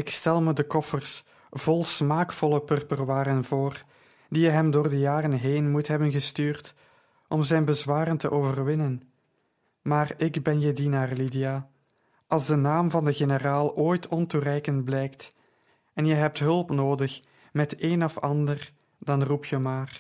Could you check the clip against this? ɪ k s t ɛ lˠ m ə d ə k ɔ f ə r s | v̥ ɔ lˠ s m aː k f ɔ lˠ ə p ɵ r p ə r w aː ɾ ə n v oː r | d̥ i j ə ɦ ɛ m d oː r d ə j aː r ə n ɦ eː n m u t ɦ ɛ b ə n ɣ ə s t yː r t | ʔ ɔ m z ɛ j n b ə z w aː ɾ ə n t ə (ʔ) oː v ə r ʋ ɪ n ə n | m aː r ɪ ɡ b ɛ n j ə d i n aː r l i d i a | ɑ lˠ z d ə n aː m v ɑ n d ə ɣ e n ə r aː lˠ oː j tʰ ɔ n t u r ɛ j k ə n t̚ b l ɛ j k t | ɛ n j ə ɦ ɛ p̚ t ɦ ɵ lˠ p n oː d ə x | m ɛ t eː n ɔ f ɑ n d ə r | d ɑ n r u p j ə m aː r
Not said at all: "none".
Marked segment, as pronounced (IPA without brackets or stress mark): ʔ